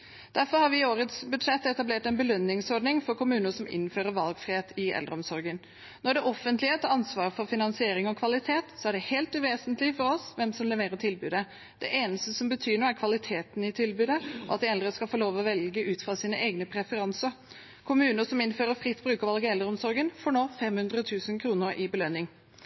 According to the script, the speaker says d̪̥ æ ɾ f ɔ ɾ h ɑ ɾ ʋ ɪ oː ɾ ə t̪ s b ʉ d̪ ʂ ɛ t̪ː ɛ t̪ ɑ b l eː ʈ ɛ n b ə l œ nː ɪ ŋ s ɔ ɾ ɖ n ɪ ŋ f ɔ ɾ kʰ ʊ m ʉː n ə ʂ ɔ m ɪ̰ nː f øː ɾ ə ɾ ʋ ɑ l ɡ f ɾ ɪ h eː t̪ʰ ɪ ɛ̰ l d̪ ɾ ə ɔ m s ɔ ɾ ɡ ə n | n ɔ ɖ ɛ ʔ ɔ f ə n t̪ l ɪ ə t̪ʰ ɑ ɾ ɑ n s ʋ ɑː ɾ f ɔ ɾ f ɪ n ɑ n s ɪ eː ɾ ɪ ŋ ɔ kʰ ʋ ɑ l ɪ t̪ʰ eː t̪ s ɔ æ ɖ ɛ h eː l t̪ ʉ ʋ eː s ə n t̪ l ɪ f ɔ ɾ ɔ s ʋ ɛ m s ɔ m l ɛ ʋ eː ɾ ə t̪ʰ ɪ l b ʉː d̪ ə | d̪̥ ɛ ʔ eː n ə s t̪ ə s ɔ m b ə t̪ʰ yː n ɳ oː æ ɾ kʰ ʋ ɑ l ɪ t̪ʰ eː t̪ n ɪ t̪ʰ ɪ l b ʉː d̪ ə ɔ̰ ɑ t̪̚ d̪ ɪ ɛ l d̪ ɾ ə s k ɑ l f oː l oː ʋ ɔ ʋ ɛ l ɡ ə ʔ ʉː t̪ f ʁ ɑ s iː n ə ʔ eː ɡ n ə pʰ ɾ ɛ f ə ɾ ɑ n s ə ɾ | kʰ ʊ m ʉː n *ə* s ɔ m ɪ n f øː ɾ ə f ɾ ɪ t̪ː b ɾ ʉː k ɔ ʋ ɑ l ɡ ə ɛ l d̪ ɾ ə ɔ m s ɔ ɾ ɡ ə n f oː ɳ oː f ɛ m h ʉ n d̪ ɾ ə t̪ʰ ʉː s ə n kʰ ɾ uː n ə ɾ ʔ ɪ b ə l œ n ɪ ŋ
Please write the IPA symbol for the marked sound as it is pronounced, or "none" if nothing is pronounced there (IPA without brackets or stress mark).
ə